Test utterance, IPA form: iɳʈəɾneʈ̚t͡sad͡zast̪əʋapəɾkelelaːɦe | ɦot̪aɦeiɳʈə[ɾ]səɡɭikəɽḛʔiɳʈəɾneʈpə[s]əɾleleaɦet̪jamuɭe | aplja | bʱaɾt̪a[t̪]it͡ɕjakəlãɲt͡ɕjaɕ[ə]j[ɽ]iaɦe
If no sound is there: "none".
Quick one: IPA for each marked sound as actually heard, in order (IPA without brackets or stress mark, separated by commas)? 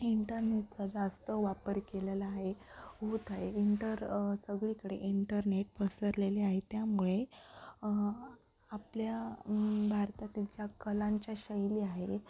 ɾ, s, t̪, ə, l